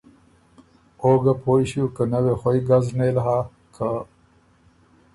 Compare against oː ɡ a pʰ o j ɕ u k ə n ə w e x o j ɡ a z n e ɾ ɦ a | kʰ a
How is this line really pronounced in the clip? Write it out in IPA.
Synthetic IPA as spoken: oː ɡ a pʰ o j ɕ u k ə n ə w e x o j ɡ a z n e l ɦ a | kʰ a